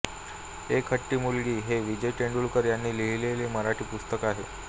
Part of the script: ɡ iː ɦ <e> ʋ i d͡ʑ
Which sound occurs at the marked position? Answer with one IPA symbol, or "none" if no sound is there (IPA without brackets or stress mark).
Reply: e